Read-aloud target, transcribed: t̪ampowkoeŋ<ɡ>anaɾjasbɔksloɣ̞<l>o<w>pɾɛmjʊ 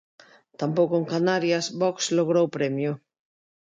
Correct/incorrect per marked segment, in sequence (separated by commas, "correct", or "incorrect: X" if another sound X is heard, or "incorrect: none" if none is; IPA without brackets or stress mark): incorrect: k, incorrect: ɾ, correct